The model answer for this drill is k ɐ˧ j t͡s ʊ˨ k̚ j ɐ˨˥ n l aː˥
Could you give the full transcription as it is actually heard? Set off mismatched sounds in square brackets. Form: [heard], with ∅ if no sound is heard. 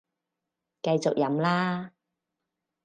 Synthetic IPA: k ɐ˧ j t͡s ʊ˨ k̚ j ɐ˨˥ [m] l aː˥